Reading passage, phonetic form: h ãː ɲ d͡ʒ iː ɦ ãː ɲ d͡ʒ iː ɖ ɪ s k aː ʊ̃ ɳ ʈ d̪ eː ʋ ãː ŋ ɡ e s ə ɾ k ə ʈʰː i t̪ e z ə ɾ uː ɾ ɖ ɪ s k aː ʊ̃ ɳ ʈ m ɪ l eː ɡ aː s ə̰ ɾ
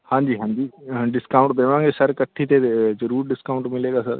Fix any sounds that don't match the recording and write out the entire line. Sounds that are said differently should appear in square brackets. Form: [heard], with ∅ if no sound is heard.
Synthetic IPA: h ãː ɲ d͡ʒ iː ɦ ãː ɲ d͡ʒ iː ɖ ɪ s k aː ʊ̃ ɳ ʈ d̪ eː ʋ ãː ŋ ɡ e s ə ɾ k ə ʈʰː i t̪ e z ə ɾ uː ɾ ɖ ɪ s k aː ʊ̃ ɳ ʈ m ɪ l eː ɡ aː s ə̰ ɾ